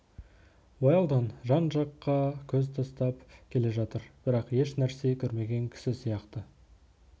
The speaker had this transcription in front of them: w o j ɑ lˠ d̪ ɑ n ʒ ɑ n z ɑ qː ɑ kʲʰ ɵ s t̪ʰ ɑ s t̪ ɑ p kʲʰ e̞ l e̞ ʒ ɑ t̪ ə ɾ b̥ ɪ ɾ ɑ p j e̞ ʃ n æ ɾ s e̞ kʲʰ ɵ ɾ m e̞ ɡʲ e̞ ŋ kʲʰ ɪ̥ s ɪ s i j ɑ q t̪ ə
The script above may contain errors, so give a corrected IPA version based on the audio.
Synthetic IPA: w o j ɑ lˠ d̪ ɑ n ʒ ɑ n ʒ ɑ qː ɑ kʲʰ ɵ z t̪ʰ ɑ s t̪ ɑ p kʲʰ e̞ l e̞ ʒ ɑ t̪ ə ɾ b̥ ɪ ɾ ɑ q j e̞ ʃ n æ ɾ s e̞ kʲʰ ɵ ɾ m e̞ ɡʲ e̞ ŋ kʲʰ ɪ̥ s ɪ s i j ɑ q t̪ ə